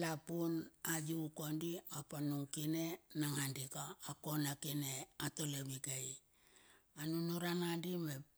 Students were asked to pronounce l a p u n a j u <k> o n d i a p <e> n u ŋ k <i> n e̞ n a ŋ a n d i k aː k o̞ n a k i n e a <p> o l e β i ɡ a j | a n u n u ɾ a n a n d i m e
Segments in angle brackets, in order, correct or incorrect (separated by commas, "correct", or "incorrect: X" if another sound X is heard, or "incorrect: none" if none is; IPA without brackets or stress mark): correct, incorrect: a, correct, incorrect: t